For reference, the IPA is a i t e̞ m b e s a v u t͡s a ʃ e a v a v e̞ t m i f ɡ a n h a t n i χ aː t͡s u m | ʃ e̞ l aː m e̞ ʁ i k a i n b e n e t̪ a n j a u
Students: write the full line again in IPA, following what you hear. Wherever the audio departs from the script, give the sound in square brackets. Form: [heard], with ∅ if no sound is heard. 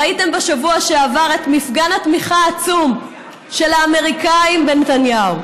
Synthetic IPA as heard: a i t e̞ m b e [ʃ] a v u [∅] a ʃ e a v a [ʁ] e̞ t m i f ɡ a n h a t [m] i χ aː t͡s u m | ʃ e̞ l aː m e̞ ʁ i k a i [m] b e n e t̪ a n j a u